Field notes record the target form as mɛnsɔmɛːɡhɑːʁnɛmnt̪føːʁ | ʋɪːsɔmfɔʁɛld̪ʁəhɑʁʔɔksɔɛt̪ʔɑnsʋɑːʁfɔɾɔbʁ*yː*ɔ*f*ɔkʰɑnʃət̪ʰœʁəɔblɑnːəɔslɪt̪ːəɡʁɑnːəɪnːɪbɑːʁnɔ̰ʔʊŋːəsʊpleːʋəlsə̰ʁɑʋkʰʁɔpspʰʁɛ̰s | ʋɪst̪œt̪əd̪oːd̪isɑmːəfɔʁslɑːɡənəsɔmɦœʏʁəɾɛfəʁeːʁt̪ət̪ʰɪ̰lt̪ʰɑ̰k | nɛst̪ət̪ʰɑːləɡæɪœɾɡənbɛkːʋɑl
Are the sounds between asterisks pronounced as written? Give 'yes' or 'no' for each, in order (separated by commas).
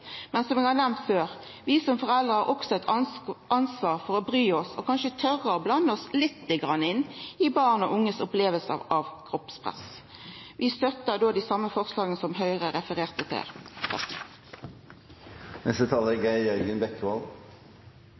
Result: yes, no